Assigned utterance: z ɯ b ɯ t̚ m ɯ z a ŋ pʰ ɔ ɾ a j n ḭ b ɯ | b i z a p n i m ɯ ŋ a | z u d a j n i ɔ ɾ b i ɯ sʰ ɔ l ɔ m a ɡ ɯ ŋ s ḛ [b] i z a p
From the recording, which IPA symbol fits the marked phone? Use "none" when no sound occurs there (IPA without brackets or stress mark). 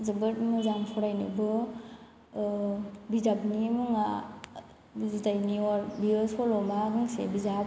b